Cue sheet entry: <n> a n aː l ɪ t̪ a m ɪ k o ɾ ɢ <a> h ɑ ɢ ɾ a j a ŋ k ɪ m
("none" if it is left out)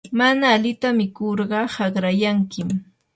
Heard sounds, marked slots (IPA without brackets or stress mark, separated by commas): m, ɑ